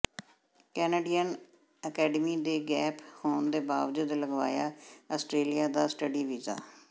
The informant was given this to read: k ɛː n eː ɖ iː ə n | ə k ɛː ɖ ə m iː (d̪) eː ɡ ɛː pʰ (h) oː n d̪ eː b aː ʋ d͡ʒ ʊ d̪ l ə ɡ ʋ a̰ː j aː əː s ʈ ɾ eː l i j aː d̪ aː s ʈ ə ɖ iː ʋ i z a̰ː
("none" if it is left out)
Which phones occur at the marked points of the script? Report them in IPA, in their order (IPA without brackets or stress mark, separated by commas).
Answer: d̪, h